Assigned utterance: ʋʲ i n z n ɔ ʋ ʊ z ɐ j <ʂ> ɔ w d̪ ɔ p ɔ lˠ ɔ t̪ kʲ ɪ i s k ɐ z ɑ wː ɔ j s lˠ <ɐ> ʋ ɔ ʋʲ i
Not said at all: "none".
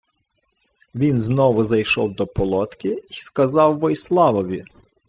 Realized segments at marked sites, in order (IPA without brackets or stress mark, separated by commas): ʃ, ɑ